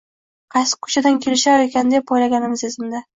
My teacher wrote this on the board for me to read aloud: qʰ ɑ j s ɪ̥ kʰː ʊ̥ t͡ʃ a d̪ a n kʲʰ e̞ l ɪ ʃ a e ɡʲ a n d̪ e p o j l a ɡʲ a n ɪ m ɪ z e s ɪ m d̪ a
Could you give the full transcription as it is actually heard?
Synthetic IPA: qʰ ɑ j s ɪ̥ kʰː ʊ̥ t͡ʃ a d̪ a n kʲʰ e̞ l ɪ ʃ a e kʲ a n d̪ e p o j l a ɡʲ a n ɪ m ɪ z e z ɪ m d̪ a